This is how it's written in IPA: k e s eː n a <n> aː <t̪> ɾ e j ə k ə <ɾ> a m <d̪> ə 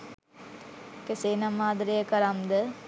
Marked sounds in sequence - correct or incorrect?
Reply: incorrect: m, incorrect: d̪, correct, correct

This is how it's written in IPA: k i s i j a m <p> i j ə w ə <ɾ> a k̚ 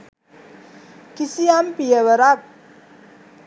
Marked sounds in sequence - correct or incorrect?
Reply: correct, correct

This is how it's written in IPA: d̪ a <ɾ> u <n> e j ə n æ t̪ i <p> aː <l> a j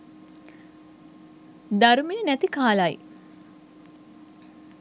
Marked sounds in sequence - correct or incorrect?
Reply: correct, incorrect: m, incorrect: k, correct

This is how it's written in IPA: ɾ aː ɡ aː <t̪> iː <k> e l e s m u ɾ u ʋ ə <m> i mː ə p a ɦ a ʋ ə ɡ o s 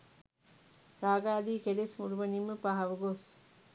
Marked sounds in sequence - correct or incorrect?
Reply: incorrect: d̪, correct, incorrect: n

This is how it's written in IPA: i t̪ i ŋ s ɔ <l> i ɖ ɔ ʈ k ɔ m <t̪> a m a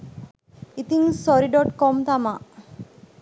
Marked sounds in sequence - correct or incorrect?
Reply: incorrect: ɾ, correct

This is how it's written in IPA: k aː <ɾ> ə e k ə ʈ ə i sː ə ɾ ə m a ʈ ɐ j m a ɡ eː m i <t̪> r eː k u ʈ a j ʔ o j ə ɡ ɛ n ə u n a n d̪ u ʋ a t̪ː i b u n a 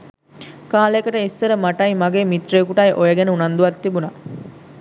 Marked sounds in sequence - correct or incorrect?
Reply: incorrect: l, correct

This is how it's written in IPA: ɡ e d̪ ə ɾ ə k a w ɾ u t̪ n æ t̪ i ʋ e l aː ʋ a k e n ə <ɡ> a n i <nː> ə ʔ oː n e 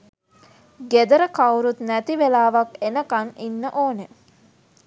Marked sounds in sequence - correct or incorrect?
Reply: incorrect: k, correct

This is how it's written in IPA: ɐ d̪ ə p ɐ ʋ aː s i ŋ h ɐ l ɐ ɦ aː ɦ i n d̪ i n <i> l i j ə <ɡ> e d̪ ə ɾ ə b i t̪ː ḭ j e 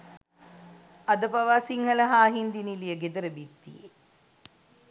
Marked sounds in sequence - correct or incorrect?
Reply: correct, correct

